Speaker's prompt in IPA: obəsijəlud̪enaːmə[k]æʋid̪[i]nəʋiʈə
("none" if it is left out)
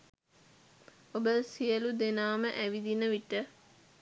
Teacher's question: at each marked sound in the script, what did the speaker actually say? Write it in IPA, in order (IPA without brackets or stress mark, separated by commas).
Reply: ʔ, i